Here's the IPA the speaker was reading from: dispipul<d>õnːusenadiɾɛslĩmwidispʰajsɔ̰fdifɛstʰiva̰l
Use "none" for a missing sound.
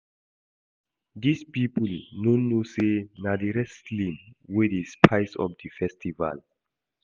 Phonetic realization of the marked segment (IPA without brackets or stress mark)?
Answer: n